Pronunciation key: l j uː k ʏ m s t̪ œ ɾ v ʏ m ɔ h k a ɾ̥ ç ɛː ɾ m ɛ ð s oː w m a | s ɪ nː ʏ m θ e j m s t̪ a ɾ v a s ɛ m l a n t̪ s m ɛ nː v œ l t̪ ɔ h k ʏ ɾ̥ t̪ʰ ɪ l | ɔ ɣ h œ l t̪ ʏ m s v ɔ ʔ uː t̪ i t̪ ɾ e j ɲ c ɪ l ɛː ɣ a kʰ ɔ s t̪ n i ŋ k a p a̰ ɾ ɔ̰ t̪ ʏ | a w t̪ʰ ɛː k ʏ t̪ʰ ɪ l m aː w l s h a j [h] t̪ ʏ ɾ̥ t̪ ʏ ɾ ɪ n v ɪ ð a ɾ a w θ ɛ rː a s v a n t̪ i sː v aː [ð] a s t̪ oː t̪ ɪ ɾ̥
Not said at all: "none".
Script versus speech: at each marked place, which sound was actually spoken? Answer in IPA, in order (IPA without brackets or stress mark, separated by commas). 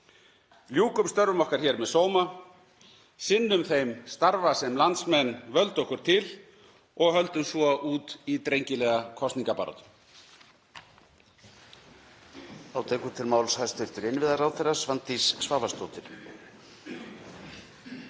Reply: s, v